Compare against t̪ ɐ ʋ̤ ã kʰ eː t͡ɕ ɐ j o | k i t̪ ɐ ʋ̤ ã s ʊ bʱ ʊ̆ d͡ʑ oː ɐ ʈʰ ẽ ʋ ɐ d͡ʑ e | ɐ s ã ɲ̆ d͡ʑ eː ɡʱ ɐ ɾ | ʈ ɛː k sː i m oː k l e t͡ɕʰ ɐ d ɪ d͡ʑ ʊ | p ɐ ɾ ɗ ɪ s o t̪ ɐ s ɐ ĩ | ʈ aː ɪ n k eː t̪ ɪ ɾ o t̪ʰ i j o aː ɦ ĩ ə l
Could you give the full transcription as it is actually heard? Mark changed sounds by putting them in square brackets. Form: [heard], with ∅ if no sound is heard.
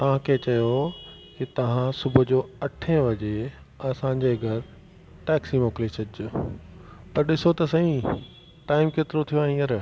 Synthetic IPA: t̪ ɐ ʋ̤ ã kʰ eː t͡ɕ ɐ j o | k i t̪ ɐ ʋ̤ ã s ʊ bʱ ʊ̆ d͡ʑ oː ɐ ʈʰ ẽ ʋ ɐ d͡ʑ e | ɐ s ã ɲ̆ d͡ʑ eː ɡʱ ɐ ɾ | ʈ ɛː k [s] i m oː k l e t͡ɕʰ ɐ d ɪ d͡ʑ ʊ | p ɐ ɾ ɗ ɪ s o t̪ ɐ s ɐ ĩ | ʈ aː ɪ [m] k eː t̪ ɪ ɾ o t̪ʰ i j o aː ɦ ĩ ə [ɾ]

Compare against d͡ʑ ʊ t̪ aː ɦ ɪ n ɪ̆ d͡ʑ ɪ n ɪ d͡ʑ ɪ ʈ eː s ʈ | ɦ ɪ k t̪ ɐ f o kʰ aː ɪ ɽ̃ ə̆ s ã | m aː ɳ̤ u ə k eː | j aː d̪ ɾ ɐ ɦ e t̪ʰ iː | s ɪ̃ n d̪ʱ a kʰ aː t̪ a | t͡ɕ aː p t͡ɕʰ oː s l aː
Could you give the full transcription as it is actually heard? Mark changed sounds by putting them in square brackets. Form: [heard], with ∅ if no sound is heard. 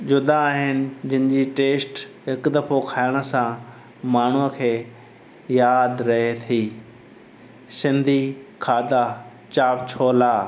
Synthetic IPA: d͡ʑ ʊ [d̪] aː ɦ ɪ n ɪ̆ d͡ʑ ɪ n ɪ d͡ʑ [i] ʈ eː s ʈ | ɦ ɪ k [d̪] ɐ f o kʰ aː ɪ ɽ̃ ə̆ s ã | m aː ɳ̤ u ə [kʰ] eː | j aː d̪ ɾ ɐ ɦ e t̪ʰ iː | s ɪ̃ n d̪ʱ [i] kʰ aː [d̪] a | t͡ɕ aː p t͡ɕʰ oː [∅] l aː

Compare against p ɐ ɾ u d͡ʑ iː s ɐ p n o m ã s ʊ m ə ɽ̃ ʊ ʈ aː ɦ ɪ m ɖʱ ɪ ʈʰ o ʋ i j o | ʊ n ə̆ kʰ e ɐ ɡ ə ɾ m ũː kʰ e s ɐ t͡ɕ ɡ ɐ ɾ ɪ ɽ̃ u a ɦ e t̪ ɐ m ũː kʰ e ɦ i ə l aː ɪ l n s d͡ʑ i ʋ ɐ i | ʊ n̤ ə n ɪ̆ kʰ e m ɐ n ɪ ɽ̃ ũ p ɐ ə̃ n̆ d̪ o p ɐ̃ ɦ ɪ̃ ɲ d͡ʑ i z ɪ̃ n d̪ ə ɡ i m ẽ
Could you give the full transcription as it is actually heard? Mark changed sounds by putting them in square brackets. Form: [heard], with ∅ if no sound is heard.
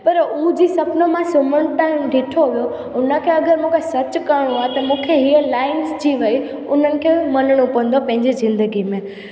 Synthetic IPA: p ɐ ɾ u d͡ʑ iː s ɐ p n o m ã s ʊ m ə ɽ̃ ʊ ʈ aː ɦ ɪ m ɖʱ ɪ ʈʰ o ʋ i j o | ʊ n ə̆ kʰ e ɐ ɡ ə ɾ m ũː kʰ e s ɐ t͡ɕ [k] ɐ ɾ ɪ ɽ̃ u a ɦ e t̪ ɐ m ũː kʰ e ɦ i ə l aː ɪ [∅] n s d͡ʑ i ʋ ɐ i | ʊ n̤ ə n ɪ̆ kʰ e m ɐ n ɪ ɽ̃ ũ p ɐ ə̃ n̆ d̪ o p ɐ̃ ɦ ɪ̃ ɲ d͡ʑ i z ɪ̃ n d̪ ə ɡ i m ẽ

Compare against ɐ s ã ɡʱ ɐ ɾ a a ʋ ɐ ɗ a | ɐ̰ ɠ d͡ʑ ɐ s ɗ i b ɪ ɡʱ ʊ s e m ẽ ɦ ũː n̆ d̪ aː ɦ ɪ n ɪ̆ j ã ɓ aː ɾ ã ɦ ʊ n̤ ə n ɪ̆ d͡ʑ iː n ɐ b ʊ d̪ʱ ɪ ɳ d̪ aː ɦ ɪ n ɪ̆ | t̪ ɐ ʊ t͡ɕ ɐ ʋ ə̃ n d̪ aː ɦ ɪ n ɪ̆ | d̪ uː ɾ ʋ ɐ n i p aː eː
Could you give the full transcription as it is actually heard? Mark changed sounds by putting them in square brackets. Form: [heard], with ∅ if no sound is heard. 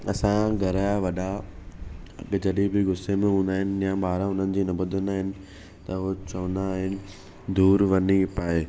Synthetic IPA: ɐ s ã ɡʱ ɐ ɾ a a ʋ ɐ ɗ a | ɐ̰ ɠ d͡ʑ ɐ [∅] ɗ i b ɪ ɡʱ ʊ s e m ẽ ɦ ũː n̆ d̪ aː ɦ ɪ n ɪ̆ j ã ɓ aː ɾ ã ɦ ʊ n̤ ə n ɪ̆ d͡ʑ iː n ɐ b ʊ d̪ʱ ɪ [n] d̪ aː ɦ ɪ n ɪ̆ | t̪ ɐ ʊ t͡ɕ ɐ ʋ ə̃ n d̪ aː ɦ ɪ n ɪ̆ | d̪ uː ɾ ʋ ɐ n i p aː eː

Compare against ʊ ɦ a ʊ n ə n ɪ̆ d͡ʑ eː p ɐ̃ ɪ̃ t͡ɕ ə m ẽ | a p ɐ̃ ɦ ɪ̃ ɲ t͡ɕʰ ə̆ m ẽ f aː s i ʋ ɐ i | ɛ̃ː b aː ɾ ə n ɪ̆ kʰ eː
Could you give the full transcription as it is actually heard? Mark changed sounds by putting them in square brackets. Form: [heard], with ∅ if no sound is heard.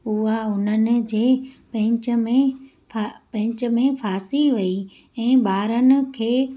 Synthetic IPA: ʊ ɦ a ʊ n ə n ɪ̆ d͡ʑ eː p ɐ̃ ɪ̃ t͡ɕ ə m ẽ | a p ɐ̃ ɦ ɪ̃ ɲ [t͡ɕ] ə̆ m ẽ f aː s i ʋ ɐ i | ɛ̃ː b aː ɾ ə n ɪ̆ kʰ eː

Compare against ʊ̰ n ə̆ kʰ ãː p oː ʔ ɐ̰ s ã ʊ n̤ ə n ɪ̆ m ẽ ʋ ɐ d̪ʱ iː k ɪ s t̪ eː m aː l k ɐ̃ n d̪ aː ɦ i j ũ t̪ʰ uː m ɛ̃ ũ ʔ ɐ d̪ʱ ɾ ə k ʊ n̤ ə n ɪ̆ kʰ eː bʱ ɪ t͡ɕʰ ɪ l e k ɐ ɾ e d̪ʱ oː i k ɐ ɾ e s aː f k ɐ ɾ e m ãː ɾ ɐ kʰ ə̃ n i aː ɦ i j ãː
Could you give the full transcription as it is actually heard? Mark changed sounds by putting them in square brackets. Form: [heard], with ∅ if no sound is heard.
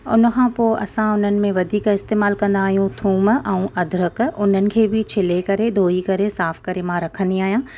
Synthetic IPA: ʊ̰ n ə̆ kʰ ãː p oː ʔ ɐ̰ s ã ʊ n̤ ə n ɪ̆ m ẽ ʋ ɐ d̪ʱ iː k ɪ s t̪ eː m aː l k ɐ̃ n d̪ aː ɦ i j ũ t̪ʰ uː m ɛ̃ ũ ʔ ɐ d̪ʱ ɾ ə k ʊ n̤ ə n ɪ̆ kʰ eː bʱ ɪ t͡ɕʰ ɪ l e k ɐ ɾ e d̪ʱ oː i k ɐ ɾ e s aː f k ɐ ɾ e m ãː ɾ ɐ kʰ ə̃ n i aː ɦ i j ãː

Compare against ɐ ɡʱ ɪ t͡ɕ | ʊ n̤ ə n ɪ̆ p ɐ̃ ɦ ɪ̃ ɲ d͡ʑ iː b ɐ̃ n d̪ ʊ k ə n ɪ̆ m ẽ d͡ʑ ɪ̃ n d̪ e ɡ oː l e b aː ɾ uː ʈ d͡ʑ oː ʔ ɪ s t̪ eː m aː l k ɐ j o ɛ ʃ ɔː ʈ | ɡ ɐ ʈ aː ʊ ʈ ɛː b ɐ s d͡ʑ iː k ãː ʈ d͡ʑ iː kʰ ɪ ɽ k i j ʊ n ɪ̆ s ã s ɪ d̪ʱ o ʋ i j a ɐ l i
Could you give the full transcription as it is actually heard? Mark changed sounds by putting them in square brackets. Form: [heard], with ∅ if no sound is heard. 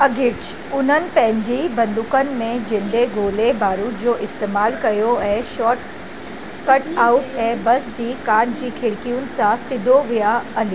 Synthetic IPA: ɐ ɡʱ ɪ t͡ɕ | ʊ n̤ ə n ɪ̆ p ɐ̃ ɦ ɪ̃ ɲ d͡ʑ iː b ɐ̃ n d̪ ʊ k ə n ɪ̆ m ẽ d͡ʑ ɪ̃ n d̪ e ɡ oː l e b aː ɾ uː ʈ d͡ʑ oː ʔ ɪ s t̪ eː m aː l k ɐ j o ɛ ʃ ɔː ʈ | [k] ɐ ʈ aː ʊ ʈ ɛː b ɐ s d͡ʑ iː k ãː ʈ d͡ʑ iː kʰ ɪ ɽ k i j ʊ n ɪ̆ s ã s ɪ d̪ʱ o ʋ i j a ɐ l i

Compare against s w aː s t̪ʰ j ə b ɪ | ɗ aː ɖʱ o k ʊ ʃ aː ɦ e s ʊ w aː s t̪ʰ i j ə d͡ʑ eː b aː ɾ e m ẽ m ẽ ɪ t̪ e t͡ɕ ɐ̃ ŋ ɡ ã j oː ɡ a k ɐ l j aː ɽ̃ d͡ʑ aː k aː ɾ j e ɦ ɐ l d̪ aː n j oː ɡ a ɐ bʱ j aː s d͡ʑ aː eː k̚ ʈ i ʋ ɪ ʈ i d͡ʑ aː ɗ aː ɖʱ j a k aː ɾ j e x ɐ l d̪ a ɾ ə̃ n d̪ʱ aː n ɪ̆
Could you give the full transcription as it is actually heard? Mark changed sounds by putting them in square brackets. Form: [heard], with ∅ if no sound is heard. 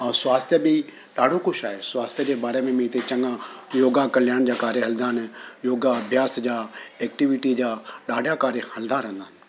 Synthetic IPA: s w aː s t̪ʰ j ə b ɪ | ɗ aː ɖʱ o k ʊ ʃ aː ɦ e s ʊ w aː s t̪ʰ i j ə d͡ʑ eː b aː ɾ e m ẽ m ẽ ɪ t̪ e t͡ɕ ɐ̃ ŋ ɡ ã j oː ɡ a k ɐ l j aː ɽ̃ d͡ʑ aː k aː ɾ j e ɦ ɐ l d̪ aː n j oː ɡ a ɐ bʱ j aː s d͡ʑ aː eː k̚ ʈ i ʋ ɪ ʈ i d͡ʑ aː ɗ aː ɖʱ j a k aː ɾ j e [h] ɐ l d̪ a ɾ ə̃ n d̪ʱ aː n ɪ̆

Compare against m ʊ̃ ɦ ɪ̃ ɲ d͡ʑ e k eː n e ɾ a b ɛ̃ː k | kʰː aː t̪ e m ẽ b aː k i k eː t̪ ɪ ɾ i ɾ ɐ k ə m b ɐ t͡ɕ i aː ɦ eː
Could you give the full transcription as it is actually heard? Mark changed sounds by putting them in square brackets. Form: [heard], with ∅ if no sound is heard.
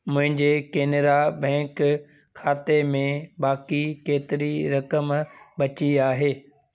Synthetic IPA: m ʊ̃ ɦ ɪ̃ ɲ d͡ʑ e k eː n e ɾ a b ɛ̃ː k | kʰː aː t̪ e m ẽ b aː k i k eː t̪ ɪ ɾ i ɾ ɐ k ə m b ɐ t͡ɕ i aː ɦ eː

